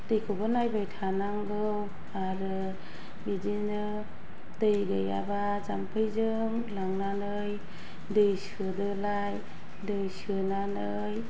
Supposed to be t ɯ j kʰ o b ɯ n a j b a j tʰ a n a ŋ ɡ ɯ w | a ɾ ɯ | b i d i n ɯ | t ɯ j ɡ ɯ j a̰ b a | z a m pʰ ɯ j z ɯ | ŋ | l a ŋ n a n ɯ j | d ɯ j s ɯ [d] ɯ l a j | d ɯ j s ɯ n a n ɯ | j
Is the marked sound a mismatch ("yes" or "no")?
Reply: no